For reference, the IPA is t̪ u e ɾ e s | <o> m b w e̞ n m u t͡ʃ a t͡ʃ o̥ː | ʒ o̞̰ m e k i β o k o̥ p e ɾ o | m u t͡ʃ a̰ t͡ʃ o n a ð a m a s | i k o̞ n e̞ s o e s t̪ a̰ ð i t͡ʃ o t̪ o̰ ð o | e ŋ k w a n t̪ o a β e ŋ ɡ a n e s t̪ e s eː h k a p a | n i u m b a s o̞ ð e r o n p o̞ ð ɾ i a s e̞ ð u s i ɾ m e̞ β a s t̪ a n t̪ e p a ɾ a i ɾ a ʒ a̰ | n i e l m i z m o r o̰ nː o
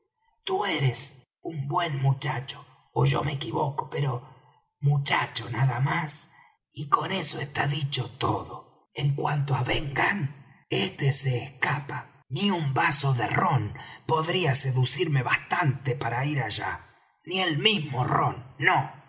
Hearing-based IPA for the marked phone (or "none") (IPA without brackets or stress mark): u